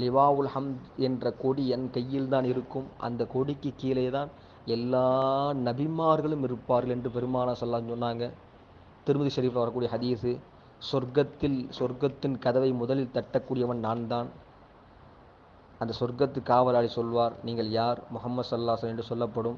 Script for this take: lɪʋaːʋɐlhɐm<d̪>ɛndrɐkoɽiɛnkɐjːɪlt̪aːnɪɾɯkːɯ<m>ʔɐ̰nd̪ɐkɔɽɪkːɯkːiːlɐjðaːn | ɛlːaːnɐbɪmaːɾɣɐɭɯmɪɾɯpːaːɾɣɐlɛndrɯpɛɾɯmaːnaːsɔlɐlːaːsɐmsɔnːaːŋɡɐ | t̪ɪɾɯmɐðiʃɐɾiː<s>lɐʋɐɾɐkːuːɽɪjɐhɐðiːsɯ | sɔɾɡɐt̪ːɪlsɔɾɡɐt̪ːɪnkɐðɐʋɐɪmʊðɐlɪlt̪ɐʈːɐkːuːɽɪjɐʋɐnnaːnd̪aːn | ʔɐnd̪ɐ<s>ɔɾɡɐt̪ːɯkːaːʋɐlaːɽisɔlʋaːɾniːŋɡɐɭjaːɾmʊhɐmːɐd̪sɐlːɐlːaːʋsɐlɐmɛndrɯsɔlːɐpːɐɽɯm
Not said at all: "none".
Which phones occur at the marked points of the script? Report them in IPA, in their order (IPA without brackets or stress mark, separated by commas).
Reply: d̪, m, f, s